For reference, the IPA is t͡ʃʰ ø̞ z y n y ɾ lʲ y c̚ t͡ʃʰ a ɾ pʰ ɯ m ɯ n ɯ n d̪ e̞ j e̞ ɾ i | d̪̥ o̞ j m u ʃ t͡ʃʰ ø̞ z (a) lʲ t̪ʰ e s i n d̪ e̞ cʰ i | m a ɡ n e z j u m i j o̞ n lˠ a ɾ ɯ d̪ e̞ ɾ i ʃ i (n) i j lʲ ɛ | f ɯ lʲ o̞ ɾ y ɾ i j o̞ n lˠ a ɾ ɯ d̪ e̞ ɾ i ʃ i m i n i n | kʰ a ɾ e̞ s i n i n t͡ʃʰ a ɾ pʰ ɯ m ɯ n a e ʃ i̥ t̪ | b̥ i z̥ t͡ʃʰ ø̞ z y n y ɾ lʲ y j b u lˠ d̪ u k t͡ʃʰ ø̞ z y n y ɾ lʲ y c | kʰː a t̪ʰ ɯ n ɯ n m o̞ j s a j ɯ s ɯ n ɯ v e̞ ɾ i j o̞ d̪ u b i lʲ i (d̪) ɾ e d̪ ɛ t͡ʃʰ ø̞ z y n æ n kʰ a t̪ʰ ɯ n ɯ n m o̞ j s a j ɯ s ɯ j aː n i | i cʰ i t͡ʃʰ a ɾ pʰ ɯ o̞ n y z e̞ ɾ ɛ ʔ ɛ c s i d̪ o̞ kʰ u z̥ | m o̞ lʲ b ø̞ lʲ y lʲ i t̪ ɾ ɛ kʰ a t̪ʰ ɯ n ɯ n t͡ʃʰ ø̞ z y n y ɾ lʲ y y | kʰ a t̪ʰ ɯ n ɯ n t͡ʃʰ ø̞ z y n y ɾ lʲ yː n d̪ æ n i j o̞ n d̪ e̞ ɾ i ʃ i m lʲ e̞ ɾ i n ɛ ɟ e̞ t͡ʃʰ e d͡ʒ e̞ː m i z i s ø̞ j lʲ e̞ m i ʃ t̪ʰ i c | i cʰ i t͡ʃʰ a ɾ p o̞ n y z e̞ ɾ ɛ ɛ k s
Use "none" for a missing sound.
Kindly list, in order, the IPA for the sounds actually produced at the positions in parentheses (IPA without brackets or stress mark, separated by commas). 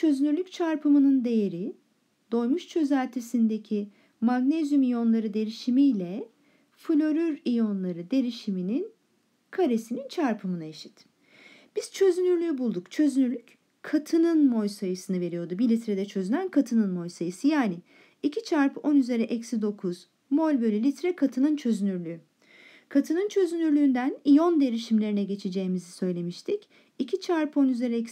æ, m, t̪